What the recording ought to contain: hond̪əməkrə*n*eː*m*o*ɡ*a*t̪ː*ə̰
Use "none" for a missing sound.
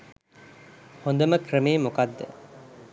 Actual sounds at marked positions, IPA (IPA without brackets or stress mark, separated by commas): m, m, k, d̪ː